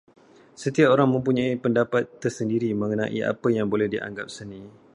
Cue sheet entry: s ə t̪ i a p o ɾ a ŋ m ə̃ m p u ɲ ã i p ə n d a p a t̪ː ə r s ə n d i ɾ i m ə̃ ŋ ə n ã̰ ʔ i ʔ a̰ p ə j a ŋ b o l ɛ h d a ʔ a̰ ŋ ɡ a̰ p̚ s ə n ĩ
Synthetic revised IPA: s ə t̪ i a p o ɾ a ŋ m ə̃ m p u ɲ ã i p ə n d a p a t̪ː ə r s ə n d i ɾ i m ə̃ ŋ ə n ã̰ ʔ i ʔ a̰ p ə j a ŋ b o l ɛ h d i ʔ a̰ ŋ ɡ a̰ p̚ s ə n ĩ

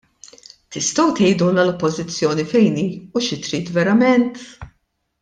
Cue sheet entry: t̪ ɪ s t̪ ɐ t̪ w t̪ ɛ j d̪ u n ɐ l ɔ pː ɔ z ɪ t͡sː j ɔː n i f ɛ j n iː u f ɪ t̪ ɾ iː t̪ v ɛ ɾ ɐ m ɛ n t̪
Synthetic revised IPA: t̪ ɪ s t̪ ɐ w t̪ ɛ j d̪ u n ɐ l ɔ pː ɔ z ɪ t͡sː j ɔː n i f ɛ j n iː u ʃ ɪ t̪ ɾ iː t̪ v ɛ ɾ ɐ m ɛ n t̪

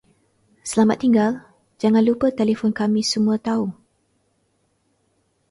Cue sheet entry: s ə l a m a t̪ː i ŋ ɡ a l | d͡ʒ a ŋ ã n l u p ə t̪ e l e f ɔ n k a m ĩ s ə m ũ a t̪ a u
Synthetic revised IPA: s ə l a m a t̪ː i ŋ ɡ a l | d͡ʒ a ŋ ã n l u p ə t̪ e l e f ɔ n k a m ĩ s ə m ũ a t̪ a u

